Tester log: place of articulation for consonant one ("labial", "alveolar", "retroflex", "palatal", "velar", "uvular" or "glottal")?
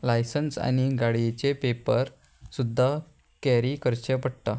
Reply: alveolar